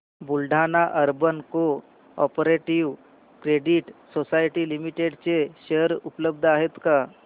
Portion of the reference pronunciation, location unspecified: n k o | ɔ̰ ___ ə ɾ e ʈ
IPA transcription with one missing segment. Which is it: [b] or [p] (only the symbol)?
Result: p